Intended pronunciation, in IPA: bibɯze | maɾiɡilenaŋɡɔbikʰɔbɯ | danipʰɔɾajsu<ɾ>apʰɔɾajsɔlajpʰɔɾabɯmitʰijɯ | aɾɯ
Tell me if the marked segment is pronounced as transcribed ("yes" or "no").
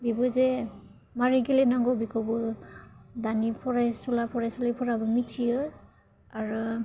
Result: no